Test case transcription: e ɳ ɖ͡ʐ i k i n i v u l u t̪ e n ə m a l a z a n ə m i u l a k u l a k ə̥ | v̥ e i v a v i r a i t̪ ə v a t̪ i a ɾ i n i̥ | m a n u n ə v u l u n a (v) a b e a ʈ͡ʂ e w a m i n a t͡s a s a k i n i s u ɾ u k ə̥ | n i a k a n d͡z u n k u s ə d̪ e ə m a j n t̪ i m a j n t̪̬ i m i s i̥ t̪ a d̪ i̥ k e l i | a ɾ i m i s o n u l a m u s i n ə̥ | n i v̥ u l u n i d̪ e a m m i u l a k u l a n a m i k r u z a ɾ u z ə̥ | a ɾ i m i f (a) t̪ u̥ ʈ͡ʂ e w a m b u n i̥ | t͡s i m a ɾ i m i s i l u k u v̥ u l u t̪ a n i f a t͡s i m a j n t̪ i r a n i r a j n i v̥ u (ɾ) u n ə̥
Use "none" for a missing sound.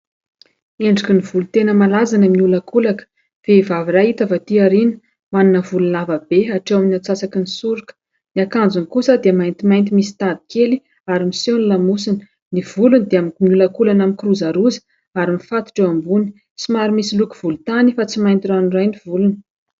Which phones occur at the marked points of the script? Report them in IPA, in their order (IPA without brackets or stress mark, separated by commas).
v, a, l